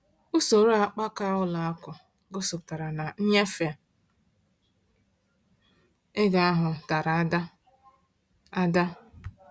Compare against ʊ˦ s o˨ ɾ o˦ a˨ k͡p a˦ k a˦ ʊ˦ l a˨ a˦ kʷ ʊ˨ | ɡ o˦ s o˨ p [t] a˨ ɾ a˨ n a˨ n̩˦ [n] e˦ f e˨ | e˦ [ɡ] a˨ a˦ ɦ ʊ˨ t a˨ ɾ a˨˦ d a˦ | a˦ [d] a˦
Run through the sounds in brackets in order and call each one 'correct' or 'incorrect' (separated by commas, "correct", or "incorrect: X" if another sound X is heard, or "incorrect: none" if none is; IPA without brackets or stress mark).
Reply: correct, incorrect: ɲ, correct, correct